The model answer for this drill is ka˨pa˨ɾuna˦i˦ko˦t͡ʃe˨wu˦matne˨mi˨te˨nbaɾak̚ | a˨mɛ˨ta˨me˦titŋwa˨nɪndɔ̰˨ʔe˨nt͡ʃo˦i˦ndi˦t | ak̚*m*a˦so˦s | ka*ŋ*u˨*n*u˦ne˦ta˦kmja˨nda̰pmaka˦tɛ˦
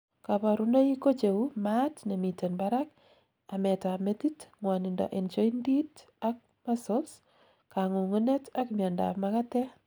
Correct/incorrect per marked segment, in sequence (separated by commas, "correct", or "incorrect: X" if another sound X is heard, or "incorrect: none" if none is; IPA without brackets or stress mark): correct, correct, incorrect: ŋ